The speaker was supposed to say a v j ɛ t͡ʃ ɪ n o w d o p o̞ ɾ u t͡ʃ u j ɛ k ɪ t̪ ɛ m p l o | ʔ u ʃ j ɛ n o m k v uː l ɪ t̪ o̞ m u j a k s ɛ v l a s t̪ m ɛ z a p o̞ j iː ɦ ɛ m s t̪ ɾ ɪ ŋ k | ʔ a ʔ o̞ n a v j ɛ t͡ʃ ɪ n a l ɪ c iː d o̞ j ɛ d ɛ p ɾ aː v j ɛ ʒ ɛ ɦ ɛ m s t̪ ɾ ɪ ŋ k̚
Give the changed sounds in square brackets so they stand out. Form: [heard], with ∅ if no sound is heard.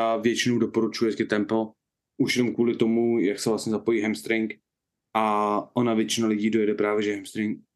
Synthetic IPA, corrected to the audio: a v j ɛ t͡ʃ ɪ n o w d o p o̞ ɾ u t͡ʃ u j ɛ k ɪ t̪ ɛ m p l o | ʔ u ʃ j ɛ n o m k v uː l ɪ t̪ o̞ m u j a k s ɛ v l a s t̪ [ɲ] ɛ z a p o̞ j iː ɦ ɛ m s t̪ ɾ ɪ ŋ k | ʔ a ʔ o̞ n a v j ɛ t͡ʃ ɪ n a l ɪ [ɟ] iː d o̞ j ɛ d ɛ p ɾ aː v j ɛ ʒ ɛ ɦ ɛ m s t̪ ɾ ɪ ŋ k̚